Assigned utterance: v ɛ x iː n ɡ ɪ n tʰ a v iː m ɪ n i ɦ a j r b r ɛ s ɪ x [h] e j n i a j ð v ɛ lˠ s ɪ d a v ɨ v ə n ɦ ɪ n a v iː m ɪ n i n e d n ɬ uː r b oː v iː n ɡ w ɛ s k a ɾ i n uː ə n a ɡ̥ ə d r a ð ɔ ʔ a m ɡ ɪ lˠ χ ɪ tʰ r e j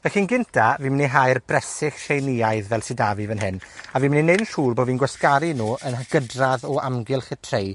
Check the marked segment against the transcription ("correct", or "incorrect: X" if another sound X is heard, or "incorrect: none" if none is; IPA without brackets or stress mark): incorrect: ʃ